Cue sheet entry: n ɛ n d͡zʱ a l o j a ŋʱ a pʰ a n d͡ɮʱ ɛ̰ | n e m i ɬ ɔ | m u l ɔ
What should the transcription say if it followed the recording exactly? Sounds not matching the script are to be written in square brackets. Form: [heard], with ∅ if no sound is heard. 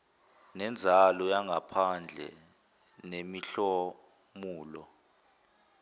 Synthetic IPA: n ɛ n d͡zʱ a l [ɔ] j a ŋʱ a pʰ a n d͡ɮʱ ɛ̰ | n e m i ɬ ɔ | m [uː] l ɔ

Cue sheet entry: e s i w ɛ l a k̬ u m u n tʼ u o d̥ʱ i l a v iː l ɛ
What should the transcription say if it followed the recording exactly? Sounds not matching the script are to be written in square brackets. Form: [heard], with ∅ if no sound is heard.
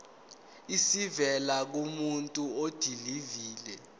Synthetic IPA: [i] s i [v] ɛ l a k̬ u m u n tʼ u o d̥ʱ i l [i] v iː l ɛ

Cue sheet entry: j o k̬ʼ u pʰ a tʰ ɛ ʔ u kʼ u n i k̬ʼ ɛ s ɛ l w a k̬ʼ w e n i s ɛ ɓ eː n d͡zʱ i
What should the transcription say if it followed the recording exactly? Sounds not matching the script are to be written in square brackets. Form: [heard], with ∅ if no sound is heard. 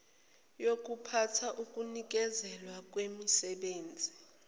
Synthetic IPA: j o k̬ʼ u pʰ a tʰ [a] ʔ u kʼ u n i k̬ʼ ɛ [z] ɛ l w a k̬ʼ w e [m] i s ɛ ɓ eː n d͡zʱ i

